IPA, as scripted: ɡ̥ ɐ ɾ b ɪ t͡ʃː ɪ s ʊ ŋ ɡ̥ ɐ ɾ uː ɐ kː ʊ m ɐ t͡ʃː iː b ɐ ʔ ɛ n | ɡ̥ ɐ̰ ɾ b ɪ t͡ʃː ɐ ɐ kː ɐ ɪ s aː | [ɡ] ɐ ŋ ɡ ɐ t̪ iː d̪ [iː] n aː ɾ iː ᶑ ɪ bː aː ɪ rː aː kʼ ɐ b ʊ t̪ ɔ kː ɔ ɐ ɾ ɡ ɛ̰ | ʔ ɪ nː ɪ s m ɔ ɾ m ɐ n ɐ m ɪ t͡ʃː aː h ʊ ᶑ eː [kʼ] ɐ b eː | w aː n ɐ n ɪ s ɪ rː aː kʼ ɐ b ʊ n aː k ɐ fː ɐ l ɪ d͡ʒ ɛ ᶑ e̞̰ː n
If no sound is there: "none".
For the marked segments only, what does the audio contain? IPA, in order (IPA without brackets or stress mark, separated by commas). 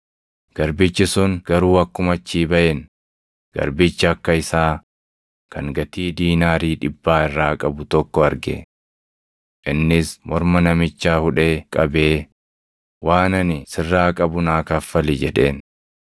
k, iː, kʼ